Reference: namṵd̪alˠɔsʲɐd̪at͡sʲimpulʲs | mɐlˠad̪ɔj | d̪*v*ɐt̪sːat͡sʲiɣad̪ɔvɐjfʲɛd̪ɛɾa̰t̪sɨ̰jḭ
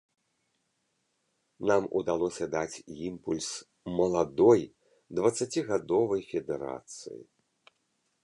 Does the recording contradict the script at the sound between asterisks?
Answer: no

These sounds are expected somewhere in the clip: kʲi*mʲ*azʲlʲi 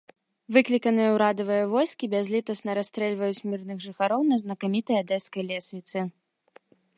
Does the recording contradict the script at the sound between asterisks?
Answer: yes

